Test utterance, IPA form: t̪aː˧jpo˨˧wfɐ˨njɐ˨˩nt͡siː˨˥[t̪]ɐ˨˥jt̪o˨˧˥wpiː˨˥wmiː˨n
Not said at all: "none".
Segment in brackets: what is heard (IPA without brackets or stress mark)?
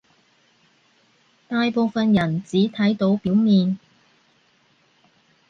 t̪ʰ